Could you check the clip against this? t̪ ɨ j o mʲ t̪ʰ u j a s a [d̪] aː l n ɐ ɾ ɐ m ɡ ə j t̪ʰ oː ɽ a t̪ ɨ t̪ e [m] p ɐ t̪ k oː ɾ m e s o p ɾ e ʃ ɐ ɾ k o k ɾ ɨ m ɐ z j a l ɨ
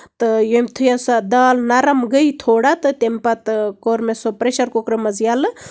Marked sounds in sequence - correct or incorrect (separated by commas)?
correct, correct